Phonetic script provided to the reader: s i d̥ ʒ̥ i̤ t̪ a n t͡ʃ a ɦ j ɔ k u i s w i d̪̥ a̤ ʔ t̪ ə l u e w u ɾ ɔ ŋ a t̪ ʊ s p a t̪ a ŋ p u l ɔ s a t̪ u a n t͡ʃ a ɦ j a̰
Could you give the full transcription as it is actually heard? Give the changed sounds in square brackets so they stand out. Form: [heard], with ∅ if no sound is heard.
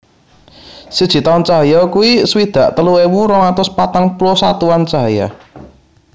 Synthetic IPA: s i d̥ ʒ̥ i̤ t̪ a n t͡ʃ a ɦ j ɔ k u i s w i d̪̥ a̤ ʔ t̪ ə l u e w u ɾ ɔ ŋ a t̪ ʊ s p a t̪ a ŋ p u l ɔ s a t̪ u a n t͡ʃ a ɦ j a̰

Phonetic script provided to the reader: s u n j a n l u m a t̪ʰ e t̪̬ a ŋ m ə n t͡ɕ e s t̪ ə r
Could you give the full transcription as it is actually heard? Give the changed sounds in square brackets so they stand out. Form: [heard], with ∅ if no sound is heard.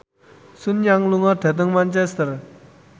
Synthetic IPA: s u n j a [ŋ] l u [ŋ] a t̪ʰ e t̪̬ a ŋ m [a] n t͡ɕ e s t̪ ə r

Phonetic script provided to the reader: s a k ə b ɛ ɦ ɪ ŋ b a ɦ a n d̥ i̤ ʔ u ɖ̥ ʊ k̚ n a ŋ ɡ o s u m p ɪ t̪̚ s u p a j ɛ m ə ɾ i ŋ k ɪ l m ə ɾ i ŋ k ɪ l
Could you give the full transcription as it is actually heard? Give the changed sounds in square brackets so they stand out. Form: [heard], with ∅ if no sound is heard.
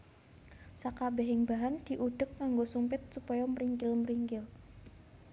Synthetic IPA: s a k [a] b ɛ ɦ ɪ ŋ b a ɦ a n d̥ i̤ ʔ u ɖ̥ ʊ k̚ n a ŋ ɡ o s u m p ɪ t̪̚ s u p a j [a] m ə ɾ i ŋ k ɪ l m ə ɾ i ŋ k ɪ l

